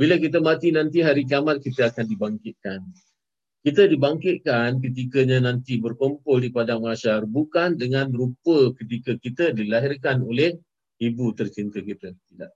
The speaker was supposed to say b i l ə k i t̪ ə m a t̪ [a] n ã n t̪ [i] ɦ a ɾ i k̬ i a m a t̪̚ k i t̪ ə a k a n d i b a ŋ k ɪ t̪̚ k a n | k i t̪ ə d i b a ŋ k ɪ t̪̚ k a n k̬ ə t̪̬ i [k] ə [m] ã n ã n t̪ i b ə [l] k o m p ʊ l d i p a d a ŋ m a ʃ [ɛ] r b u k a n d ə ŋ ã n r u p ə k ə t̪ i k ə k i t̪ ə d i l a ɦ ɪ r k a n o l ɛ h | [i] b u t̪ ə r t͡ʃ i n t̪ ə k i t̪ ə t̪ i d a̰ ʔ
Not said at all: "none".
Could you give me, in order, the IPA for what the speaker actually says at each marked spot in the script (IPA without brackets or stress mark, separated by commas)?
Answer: i, i, k, ɲ, r, a, i